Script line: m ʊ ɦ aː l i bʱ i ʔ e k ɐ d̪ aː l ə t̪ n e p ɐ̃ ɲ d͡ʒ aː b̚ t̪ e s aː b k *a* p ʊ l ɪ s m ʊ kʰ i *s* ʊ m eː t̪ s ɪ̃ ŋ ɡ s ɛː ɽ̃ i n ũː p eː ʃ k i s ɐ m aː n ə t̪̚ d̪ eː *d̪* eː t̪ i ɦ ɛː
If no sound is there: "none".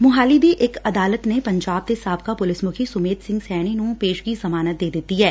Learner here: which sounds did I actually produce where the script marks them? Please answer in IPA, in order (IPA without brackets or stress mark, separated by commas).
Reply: a, s, d̪